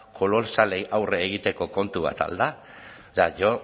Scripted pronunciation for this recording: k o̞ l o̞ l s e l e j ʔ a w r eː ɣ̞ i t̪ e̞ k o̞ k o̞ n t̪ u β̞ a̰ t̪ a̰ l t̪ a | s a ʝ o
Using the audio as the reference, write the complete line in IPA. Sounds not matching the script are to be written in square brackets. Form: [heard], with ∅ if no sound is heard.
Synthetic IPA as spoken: k o̞ l o̞ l s [a] l e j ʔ a w r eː ɣ̞ i t̪ e̞ k o̞ k o̞ n t̪ u β̞ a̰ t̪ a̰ l [d̪] a | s a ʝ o